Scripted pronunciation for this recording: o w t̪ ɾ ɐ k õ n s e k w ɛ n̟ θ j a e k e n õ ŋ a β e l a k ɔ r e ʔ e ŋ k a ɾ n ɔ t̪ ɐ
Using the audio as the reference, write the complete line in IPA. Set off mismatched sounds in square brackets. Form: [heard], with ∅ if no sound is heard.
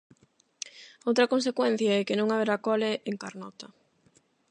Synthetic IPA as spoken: o w t̪ ɾ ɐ k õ n s e k w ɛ n̟ θ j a [ɛ] k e n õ ŋ a β e [ɾ] a k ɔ [l] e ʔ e ŋ k a ɾ n ɔ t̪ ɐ